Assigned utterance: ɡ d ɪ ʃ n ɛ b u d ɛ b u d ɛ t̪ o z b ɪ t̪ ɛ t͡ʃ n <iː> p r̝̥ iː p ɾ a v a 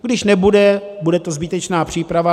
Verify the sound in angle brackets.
incorrect: aː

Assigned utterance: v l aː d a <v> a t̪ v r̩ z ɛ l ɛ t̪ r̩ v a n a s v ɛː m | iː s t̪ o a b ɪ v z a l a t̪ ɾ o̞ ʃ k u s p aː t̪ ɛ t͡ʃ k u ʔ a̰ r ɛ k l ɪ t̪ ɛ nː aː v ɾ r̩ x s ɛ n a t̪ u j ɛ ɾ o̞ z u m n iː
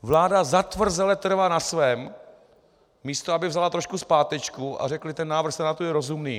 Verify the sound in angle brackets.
incorrect: z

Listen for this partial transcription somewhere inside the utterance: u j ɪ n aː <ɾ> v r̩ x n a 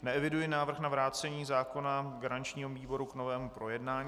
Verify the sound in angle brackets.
incorrect: none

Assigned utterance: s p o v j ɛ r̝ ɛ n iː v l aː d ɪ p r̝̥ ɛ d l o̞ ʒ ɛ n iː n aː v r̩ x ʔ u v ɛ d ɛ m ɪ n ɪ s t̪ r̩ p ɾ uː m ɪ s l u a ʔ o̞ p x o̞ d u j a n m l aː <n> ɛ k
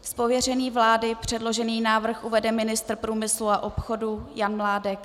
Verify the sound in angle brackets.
incorrect: d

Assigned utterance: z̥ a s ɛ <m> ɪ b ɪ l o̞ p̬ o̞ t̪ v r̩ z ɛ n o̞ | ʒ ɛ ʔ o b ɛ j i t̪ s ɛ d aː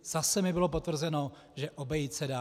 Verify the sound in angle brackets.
correct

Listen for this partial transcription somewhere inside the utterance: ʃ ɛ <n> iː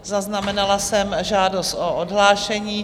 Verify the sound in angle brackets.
incorrect: ɲ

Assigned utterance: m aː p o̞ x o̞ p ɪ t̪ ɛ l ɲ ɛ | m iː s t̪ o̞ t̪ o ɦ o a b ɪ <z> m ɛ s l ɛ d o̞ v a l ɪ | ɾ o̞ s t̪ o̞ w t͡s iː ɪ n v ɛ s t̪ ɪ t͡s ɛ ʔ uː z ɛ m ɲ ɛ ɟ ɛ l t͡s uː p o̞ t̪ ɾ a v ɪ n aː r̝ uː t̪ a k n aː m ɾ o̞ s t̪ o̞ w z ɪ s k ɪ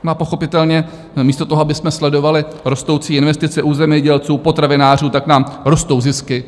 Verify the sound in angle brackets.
incorrect: s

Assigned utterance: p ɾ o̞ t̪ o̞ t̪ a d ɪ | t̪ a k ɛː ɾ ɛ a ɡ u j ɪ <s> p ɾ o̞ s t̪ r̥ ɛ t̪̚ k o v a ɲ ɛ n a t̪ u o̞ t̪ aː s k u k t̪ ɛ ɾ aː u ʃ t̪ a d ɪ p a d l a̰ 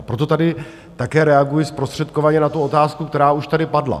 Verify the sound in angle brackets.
correct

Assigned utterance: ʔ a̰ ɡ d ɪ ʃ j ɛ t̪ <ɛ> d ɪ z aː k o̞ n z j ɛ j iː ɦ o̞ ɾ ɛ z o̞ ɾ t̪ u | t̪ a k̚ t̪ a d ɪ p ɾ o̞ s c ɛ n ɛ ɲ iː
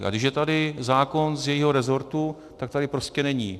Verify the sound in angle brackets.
incorrect: a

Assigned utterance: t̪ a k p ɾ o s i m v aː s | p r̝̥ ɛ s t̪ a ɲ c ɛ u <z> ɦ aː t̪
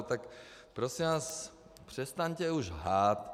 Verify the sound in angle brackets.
incorrect: ʒ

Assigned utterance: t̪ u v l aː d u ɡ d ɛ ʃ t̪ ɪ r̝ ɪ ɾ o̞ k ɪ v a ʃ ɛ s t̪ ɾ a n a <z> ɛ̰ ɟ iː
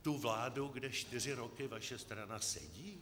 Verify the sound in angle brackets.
incorrect: s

